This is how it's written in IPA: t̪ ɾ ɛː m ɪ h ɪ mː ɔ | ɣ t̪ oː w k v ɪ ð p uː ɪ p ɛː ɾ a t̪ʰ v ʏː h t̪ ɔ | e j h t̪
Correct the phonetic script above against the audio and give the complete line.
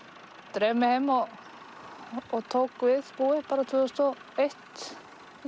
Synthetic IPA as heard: t̪ ɾ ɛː m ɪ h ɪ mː ɔ | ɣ t̪ʰ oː w k v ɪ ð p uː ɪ p aː ɾ a t̪ʰ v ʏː s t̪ ɔ | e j h t̪